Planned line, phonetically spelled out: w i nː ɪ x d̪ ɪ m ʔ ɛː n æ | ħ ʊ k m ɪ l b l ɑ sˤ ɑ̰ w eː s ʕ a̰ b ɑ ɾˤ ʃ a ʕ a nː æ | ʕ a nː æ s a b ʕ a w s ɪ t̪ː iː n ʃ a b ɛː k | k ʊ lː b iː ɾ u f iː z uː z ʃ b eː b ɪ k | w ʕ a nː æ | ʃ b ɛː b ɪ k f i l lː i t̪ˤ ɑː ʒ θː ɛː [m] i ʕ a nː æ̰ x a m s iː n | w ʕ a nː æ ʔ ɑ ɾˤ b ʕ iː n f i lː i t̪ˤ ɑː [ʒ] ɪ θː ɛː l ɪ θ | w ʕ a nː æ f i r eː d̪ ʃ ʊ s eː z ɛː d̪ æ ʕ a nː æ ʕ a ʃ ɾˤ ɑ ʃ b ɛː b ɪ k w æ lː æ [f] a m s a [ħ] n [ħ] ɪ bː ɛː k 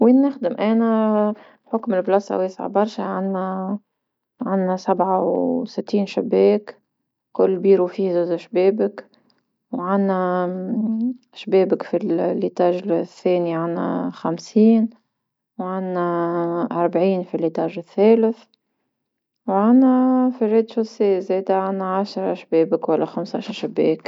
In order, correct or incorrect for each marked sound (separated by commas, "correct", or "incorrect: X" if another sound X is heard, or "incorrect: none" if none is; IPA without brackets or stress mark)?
incorrect: n, correct, incorrect: x, incorrect: ʃ, incorrect: ʃ